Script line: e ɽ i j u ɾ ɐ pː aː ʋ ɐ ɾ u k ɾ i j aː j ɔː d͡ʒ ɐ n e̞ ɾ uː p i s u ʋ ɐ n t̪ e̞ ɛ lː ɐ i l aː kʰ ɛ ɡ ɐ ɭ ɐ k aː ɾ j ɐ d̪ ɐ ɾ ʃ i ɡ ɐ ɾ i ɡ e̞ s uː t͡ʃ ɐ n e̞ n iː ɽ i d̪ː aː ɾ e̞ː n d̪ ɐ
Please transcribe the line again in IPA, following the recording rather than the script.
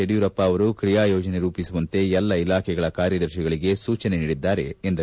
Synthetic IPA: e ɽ i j u ɾ ɐ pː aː ʋ ɐ ɾ u k ɾ i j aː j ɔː d͡ʒ ɐ n e̞ ɾ uː p i s u ʋ ɐ n t̪ e̞ ɛ lː ɐ i l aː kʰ ɛ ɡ ɐ ɭ ɐ k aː ɾ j ɐ d̪ ɐ ɾ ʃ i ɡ ɐ ɭ i ɡ e̞ s uː t͡ʃ ɐ n e̞ n iː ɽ i d̪ː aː ɾ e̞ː n d̪ ɐ